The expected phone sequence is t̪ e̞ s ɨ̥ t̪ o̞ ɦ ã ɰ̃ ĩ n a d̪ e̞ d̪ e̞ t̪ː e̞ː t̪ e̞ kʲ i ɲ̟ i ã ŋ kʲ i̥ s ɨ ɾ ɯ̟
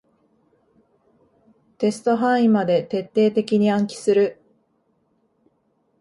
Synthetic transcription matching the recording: t̪ e̞ s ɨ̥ t̪ o̞ ɦ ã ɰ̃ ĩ m a d̪ e̞ t̪ e̞ t̪ː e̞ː t̪ e̞ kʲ i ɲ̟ i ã ŋ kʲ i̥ s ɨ ɾ ɯ̟